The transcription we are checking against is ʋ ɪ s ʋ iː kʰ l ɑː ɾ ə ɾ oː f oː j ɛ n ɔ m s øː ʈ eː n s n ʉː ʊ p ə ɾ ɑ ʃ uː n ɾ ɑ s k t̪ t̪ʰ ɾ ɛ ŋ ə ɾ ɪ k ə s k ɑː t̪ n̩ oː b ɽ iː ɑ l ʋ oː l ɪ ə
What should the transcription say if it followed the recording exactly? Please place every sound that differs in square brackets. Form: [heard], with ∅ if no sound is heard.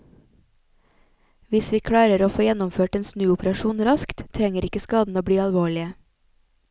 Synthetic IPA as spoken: ʋ ɪ s ʋ iː kʰ [ɽ] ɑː ɾ ə ɾ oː f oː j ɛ n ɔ m [f] øː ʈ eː n s n ʉː ʊ p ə ɾ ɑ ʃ uː n ɾ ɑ s k t̪ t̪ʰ ɾ ɛ ŋ ə ɾ ɪ k ə s k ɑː [d̪] n̩ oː b ɽ iː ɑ l ʋ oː [ɭ] ɪ ə